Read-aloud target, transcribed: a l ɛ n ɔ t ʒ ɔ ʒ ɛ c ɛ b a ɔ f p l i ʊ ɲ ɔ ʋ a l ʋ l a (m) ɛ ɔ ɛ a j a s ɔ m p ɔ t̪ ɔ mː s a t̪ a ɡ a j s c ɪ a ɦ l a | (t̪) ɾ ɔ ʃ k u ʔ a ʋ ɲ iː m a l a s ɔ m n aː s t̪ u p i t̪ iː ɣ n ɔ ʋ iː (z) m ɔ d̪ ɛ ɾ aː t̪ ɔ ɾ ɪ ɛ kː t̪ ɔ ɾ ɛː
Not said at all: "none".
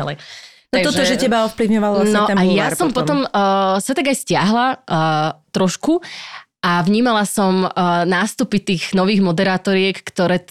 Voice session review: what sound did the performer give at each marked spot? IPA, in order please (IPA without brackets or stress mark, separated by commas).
n, t̪, ɣ